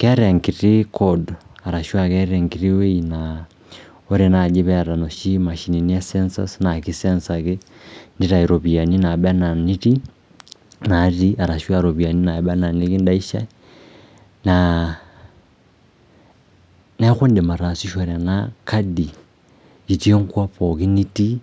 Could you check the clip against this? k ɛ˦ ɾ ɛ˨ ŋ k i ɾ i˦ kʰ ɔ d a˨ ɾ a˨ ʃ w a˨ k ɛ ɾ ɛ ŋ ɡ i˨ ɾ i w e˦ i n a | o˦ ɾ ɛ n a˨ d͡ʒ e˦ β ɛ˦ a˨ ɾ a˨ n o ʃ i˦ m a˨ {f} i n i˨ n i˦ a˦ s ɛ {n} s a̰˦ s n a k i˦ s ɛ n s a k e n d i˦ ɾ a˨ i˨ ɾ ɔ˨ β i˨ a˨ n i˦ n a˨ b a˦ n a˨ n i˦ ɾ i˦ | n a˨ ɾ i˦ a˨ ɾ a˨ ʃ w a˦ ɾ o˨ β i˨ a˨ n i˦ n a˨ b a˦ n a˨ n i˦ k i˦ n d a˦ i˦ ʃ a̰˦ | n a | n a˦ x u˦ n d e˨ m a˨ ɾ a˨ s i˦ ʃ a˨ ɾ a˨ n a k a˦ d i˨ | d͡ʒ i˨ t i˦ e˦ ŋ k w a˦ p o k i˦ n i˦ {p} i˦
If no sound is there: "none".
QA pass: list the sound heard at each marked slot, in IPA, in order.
ʃ, n, t

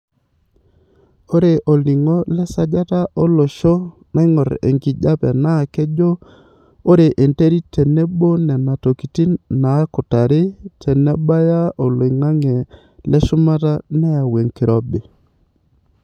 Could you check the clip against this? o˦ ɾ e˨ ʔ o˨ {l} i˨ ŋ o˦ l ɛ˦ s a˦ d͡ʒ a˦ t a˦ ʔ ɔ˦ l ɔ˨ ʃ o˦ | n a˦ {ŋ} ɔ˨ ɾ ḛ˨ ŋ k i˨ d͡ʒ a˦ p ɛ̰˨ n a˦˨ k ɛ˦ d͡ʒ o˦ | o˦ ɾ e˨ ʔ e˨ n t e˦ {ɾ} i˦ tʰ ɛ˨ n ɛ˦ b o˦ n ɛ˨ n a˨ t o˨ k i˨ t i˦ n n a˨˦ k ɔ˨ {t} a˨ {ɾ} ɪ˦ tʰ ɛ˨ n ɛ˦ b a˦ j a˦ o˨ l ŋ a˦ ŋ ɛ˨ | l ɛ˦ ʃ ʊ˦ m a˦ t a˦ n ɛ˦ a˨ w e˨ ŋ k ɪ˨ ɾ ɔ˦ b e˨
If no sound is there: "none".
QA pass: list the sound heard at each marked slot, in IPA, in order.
l, ŋ, ɾ, t, ɾ

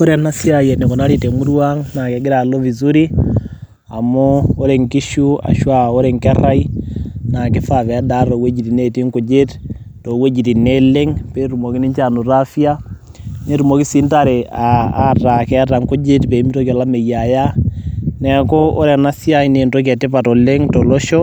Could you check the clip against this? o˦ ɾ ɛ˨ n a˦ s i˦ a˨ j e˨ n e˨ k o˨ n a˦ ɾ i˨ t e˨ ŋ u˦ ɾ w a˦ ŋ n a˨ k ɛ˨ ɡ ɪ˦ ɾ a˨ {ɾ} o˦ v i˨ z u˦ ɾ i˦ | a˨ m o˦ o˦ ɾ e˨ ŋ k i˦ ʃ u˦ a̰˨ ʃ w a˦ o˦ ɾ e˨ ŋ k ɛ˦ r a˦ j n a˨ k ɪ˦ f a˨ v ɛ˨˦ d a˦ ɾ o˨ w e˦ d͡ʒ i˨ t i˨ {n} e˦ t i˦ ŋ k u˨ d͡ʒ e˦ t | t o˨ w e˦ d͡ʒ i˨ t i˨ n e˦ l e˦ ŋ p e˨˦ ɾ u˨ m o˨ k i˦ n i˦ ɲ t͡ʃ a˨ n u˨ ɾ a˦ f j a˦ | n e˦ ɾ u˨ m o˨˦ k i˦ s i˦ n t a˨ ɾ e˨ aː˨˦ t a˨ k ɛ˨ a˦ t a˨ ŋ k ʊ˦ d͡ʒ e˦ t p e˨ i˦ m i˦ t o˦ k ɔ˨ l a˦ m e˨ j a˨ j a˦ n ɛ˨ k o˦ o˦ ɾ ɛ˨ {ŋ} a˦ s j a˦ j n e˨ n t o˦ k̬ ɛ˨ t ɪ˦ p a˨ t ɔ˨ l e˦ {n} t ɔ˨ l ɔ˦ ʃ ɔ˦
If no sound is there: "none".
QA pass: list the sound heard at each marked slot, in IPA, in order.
l, n, n, ŋ

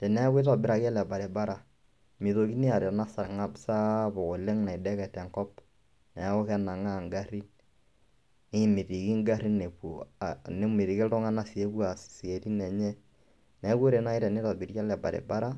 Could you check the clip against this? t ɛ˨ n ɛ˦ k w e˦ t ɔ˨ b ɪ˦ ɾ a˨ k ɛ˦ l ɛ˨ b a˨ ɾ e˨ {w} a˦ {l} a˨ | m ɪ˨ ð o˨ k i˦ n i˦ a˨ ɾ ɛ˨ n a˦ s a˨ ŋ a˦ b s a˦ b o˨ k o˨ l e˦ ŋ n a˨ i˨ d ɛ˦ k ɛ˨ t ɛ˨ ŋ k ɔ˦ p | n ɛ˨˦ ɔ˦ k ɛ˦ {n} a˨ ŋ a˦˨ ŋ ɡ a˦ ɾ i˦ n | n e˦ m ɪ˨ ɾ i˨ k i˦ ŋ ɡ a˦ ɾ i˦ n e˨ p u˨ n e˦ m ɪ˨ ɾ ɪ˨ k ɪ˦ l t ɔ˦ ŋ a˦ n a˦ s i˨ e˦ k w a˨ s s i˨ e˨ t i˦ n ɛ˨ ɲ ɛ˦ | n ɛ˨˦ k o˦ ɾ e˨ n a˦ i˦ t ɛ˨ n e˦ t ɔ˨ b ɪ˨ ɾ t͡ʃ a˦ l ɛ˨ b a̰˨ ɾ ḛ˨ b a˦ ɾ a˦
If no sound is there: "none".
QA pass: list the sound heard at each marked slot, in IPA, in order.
b, ɾ, n

